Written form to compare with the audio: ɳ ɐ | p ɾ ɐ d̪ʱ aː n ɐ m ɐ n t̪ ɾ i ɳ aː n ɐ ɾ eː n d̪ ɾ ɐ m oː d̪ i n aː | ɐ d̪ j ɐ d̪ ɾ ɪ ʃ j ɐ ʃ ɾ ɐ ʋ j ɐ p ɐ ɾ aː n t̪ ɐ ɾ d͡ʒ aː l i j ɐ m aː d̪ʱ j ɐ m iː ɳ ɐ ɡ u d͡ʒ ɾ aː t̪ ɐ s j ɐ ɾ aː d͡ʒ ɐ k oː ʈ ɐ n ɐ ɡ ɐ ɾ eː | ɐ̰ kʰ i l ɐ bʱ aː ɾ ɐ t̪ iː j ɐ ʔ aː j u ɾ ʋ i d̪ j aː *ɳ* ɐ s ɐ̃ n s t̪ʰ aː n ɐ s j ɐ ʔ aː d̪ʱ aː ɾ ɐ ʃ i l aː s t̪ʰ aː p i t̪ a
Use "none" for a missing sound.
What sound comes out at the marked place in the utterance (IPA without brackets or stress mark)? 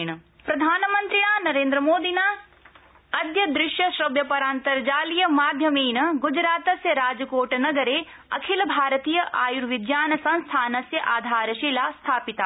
n